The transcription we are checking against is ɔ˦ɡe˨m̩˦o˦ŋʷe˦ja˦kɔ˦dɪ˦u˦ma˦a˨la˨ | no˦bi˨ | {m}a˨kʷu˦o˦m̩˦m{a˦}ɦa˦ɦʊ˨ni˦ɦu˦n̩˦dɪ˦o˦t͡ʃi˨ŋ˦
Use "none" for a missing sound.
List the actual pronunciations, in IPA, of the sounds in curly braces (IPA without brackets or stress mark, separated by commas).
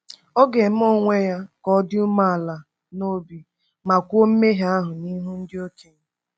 m, e˦